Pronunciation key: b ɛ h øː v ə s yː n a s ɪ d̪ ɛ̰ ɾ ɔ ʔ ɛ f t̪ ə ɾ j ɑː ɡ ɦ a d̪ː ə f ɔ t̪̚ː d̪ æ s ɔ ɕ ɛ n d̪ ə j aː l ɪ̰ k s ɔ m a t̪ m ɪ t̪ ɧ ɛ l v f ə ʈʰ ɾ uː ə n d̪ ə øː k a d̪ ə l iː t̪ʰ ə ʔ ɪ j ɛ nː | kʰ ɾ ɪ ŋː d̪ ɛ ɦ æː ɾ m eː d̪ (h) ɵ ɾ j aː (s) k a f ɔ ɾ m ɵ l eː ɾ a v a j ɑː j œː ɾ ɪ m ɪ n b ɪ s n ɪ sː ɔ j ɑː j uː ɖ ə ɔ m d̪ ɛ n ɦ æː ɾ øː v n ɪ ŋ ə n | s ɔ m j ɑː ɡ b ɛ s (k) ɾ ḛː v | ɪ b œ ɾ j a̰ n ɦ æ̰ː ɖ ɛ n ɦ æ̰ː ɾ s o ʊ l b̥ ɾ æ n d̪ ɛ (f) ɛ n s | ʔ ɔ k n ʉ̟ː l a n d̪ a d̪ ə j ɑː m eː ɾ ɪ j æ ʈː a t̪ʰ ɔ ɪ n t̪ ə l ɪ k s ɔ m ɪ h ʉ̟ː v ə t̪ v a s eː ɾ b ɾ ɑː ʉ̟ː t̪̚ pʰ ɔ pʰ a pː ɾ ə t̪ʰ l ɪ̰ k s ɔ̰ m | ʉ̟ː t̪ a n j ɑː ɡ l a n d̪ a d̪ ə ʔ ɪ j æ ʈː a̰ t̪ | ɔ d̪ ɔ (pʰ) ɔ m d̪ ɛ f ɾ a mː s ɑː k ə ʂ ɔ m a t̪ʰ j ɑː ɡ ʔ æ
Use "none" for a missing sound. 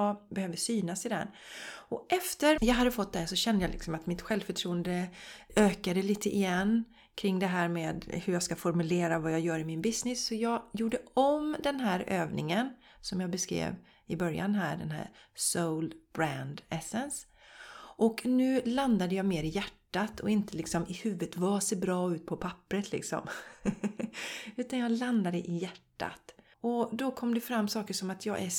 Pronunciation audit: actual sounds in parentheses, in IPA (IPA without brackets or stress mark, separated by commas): h, s, k, s, kʰ